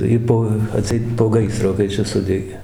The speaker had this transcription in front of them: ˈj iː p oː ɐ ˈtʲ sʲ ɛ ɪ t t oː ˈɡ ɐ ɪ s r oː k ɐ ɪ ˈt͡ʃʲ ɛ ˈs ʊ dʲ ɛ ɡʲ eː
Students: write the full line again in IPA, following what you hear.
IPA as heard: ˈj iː p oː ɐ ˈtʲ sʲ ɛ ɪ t p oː ˈɡ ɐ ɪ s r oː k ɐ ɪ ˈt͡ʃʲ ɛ ˈs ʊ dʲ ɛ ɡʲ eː